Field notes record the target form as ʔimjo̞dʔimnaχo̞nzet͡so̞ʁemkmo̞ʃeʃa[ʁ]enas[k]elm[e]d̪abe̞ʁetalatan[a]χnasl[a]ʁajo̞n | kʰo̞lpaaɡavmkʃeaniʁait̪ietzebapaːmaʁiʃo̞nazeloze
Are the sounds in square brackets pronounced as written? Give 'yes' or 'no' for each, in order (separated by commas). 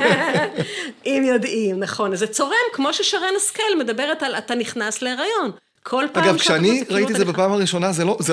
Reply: yes, yes, yes, no, no